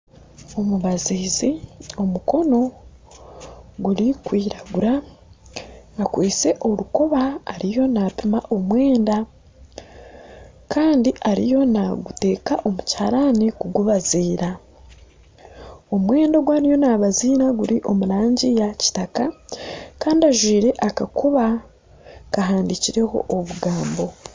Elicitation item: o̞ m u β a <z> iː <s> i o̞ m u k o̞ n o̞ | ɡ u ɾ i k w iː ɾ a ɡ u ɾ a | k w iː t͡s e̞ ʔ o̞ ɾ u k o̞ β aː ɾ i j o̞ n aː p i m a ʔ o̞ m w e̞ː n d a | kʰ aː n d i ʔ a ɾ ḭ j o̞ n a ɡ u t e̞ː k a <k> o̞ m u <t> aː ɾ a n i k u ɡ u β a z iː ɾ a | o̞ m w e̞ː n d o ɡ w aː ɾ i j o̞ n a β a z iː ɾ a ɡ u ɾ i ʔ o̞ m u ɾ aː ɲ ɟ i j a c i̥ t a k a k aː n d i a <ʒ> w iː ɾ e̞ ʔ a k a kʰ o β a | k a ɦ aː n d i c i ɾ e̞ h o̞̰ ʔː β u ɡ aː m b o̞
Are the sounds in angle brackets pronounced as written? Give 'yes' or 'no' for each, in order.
yes, no, no, no, yes

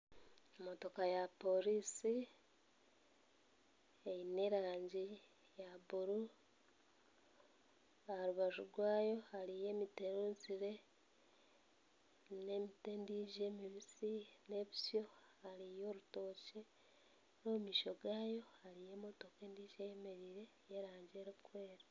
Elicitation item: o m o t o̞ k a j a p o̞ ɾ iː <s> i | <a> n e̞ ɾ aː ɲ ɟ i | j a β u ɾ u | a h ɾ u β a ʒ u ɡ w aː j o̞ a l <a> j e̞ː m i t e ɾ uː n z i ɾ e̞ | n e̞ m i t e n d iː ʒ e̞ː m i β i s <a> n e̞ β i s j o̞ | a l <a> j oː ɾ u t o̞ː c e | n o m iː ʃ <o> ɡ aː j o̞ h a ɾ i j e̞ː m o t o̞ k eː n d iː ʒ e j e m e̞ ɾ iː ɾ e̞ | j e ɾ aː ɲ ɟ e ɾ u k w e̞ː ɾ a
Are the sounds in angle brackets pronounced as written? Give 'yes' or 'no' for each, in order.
yes, no, no, no, no, yes

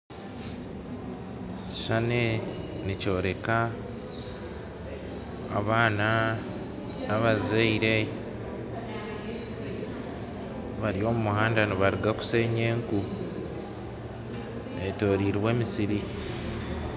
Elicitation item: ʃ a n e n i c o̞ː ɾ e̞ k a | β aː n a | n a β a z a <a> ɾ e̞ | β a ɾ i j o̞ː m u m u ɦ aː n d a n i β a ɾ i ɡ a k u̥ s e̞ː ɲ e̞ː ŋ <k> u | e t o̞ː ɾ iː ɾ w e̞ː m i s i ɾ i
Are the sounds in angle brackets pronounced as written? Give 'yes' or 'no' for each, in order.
no, yes

